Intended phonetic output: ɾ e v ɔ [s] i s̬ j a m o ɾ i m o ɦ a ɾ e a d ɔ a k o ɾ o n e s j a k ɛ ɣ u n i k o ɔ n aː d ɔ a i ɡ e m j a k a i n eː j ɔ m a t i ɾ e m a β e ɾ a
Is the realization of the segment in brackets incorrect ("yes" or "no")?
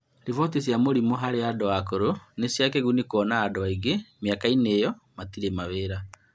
yes